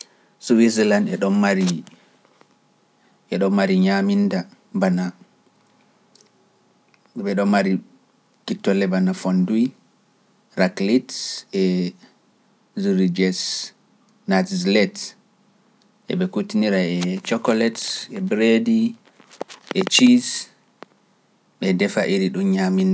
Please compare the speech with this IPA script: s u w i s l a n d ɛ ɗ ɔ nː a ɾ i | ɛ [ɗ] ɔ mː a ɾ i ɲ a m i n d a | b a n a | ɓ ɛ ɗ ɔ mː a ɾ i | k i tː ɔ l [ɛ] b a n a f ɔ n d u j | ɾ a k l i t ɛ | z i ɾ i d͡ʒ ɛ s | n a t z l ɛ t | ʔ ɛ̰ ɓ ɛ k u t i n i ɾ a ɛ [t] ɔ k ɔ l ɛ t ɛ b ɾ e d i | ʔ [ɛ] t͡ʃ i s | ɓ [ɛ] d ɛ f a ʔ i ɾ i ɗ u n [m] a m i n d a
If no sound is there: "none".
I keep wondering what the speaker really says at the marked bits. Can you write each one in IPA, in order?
ɗ, ɛ, t͡ʃ, ɛ, ɛ, ɲ

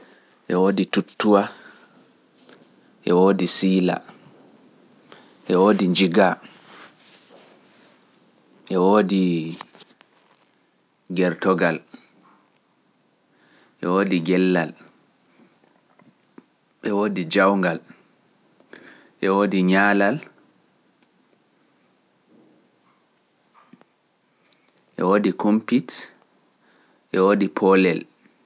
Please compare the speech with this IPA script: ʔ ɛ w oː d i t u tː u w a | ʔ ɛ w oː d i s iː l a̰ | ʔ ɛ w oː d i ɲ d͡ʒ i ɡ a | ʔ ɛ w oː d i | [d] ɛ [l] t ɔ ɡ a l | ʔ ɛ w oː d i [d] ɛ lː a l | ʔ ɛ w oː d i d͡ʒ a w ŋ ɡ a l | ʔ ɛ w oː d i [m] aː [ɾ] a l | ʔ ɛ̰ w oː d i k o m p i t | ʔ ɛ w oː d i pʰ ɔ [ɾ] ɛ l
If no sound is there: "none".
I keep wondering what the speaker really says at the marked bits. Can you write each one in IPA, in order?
ɡ, ɾ, ɡ, ɲ, l, l

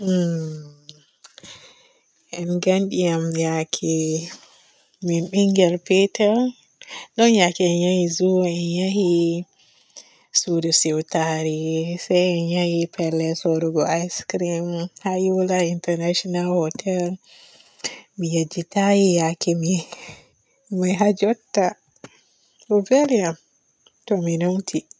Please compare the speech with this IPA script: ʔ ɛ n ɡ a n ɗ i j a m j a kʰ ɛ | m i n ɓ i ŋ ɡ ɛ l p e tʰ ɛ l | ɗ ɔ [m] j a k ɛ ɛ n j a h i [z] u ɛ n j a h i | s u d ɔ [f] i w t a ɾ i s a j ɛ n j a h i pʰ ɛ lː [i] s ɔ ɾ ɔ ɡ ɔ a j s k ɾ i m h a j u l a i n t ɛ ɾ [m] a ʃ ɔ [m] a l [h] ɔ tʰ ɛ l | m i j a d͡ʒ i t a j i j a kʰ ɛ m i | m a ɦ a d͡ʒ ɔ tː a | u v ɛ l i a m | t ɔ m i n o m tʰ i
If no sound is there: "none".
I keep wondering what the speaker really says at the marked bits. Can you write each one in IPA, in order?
n, z, s, ɛ, n, n, h

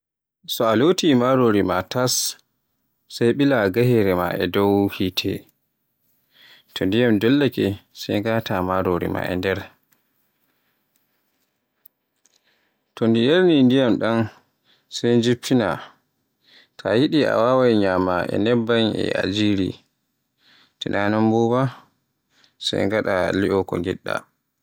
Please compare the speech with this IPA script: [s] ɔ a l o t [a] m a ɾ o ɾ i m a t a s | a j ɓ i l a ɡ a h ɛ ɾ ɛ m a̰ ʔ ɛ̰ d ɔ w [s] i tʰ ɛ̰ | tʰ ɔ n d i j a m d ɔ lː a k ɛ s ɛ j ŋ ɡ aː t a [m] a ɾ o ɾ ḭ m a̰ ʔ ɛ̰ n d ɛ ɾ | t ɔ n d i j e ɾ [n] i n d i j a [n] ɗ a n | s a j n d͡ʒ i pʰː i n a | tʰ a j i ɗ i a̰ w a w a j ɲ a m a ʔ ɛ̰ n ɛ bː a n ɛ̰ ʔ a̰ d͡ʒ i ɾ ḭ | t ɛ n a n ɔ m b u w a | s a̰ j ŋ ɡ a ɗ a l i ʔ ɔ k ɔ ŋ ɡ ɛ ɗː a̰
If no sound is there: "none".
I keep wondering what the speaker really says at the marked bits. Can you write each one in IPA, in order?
s, i, h, m, n, m

